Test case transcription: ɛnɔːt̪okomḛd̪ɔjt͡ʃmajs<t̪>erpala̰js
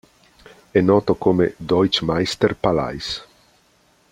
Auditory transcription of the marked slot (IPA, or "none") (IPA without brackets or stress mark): t̪